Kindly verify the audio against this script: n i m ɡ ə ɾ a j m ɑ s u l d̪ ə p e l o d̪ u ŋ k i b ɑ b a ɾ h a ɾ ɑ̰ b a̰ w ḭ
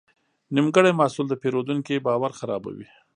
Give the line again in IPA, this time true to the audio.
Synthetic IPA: n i m ɡ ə ɽ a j m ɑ s u l d̪ ə p e ɾ o d̪ u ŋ k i b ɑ w a ɾ x a ɾ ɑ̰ b a̰ w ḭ